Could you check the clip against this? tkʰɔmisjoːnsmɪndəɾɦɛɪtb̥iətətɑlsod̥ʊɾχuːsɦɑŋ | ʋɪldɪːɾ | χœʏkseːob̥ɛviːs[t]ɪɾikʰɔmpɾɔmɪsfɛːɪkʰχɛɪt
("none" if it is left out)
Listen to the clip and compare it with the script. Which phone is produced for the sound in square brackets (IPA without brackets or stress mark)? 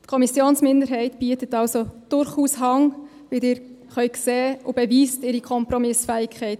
t